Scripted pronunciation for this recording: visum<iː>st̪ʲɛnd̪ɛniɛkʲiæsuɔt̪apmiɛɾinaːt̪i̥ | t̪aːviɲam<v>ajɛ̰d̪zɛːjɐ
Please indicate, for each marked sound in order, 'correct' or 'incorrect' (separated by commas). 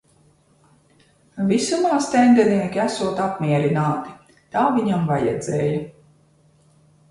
incorrect, correct